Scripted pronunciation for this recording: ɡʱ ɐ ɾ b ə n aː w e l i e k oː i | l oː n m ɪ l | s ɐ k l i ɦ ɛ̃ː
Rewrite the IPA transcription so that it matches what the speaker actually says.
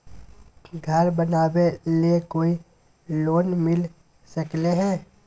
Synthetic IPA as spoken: ɡʱ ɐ ɾ b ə n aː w e l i e k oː i | l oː n m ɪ l | s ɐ k l e ɦ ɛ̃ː